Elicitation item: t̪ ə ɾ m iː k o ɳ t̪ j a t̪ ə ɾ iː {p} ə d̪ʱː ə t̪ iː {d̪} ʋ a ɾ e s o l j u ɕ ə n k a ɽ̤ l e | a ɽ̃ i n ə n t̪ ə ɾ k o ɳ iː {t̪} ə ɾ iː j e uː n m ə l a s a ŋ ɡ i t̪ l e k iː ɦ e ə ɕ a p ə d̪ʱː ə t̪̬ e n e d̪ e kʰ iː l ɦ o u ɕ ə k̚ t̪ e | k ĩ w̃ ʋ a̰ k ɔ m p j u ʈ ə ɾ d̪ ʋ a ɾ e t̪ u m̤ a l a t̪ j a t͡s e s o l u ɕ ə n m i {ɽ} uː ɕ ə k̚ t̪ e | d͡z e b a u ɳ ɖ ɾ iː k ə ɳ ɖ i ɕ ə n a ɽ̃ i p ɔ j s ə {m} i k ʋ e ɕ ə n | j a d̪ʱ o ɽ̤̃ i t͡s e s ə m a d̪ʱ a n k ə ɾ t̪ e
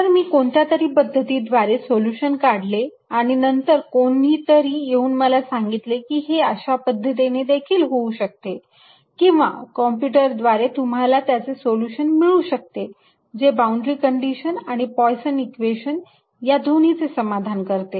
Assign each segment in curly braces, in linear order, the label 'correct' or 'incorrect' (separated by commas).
correct, correct, correct, incorrect, incorrect